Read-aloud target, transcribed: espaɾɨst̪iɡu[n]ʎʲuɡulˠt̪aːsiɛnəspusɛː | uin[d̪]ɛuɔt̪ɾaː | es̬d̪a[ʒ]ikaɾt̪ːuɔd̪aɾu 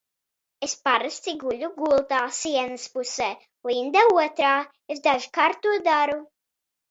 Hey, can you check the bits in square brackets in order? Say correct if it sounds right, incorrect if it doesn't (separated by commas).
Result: incorrect, correct, correct